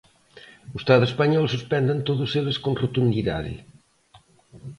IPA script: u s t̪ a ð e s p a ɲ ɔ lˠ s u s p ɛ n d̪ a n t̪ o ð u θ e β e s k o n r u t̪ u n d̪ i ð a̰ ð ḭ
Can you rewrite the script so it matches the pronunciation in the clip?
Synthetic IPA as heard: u s t̪ a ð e s p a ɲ ɔ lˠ s u s p ɛ n d̪ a n t̪ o ð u s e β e s k o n r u t̪ u n d̪ i ð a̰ ð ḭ